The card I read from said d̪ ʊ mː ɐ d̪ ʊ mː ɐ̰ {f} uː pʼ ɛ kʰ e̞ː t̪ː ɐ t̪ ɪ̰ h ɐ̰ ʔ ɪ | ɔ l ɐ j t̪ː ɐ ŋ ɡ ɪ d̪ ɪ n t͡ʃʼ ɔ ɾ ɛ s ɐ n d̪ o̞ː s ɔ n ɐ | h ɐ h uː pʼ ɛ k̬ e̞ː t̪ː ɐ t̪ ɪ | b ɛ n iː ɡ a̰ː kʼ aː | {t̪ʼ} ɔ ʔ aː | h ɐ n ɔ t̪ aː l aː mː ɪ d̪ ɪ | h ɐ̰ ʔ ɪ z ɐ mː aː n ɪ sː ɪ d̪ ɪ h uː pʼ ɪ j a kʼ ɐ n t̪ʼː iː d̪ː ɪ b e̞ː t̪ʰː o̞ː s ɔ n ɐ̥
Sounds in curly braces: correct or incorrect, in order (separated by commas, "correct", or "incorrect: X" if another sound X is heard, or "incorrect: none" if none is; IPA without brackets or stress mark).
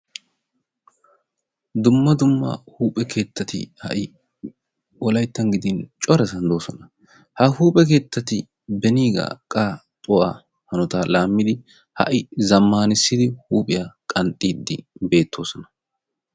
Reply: incorrect: h, correct